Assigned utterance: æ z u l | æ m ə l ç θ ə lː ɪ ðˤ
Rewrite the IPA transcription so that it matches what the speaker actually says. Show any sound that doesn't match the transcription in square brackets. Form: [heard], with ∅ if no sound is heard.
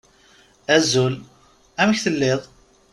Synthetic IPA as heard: æ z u l | æ m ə [∅] ç θ ə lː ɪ ðˤ